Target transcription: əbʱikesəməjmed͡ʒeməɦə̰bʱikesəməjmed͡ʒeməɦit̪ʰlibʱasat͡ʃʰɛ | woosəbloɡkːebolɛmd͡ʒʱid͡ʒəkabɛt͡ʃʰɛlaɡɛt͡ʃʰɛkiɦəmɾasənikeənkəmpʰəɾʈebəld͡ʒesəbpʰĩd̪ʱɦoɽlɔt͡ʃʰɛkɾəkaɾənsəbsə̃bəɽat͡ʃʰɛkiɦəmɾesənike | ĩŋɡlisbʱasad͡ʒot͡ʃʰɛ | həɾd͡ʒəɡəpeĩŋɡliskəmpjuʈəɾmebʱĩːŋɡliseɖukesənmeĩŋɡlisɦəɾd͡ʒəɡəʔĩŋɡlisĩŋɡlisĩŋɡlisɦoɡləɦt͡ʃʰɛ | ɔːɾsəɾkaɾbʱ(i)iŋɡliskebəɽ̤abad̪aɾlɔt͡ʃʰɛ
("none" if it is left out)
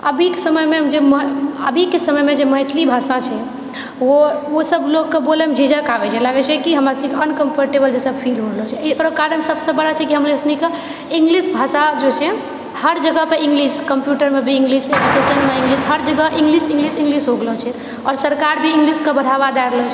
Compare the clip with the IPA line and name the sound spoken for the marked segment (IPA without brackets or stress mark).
i